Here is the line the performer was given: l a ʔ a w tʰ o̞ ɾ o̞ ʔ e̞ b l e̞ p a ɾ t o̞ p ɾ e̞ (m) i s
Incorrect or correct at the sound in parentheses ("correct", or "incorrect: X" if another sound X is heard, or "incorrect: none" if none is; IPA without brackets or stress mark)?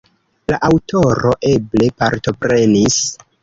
incorrect: n